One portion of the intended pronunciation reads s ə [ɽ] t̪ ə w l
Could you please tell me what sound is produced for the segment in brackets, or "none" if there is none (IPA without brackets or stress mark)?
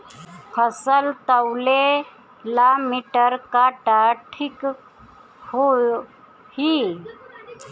l